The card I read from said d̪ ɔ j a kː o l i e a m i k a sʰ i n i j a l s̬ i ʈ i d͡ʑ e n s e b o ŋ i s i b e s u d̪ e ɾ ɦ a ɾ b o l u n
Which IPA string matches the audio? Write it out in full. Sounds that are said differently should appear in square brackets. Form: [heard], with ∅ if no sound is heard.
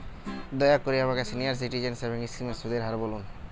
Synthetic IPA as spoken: d̪ ɔ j a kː o [ɾ] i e a m [a] k a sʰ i n i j a [ɾ] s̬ i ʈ i d͡ʑ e n s e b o ŋ i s i [m] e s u d̪ e ɾ ɦ a ɾ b o l u n